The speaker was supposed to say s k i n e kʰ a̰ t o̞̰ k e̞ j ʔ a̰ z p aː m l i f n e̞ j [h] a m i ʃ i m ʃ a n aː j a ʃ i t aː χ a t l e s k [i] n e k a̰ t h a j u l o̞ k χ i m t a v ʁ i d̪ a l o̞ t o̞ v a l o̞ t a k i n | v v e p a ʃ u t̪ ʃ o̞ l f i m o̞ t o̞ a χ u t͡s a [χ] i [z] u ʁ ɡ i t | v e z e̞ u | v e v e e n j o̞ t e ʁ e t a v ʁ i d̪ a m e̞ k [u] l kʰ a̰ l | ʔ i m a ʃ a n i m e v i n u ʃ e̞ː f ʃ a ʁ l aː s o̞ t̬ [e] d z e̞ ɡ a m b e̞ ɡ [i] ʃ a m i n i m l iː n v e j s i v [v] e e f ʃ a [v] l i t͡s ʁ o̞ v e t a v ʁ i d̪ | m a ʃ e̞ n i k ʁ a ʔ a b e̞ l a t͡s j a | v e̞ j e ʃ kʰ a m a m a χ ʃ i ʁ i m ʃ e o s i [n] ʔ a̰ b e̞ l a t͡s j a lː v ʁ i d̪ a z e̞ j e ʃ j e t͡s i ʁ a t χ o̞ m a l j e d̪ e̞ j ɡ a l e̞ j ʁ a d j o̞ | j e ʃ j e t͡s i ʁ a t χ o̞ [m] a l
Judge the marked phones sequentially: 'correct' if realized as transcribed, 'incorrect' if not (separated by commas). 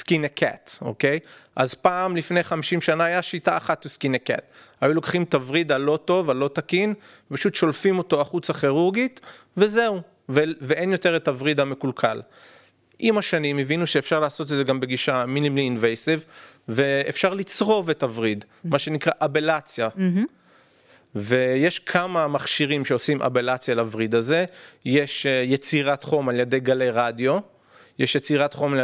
incorrect, correct, correct, incorrect, correct, correct, correct, correct, incorrect, incorrect, correct